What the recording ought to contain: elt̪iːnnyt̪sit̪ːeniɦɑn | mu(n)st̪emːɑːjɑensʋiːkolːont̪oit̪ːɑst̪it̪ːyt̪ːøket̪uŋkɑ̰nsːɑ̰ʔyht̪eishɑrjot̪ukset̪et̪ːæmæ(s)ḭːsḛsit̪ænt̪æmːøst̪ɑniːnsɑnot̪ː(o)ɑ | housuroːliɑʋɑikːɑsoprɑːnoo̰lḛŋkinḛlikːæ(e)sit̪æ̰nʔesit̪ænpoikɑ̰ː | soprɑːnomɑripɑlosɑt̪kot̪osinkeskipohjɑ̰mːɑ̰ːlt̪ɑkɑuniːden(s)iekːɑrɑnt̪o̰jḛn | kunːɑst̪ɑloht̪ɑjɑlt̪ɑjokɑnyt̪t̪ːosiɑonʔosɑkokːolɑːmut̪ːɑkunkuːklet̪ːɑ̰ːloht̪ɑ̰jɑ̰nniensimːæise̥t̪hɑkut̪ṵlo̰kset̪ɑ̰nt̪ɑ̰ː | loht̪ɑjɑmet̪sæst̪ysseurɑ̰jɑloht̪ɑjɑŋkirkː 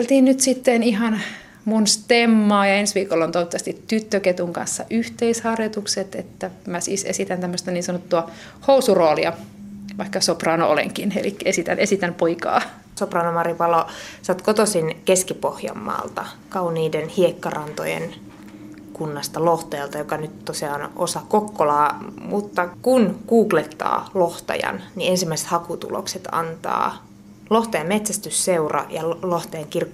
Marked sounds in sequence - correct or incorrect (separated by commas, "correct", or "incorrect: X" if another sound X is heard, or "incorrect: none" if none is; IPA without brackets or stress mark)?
correct, correct, incorrect: u, correct, incorrect: h